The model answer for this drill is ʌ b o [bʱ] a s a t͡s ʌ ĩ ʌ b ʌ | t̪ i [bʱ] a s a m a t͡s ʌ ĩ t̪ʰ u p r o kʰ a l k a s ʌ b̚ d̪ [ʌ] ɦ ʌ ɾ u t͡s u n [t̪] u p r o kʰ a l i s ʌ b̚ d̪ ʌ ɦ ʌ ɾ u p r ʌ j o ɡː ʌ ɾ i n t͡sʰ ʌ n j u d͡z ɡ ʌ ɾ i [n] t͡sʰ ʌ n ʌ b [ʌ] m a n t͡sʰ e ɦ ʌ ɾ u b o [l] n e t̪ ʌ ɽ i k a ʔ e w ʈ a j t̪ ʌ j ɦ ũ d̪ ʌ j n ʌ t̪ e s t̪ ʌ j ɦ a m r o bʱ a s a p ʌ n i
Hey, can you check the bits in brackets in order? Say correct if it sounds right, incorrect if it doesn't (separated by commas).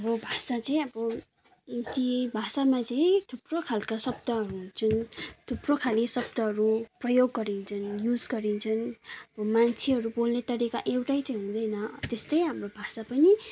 correct, correct, correct, incorrect, correct, correct, correct